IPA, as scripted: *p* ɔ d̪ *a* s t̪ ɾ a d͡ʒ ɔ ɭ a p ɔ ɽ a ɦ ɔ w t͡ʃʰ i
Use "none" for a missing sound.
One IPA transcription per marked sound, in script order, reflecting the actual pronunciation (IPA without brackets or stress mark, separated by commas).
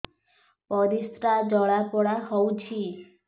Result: p, i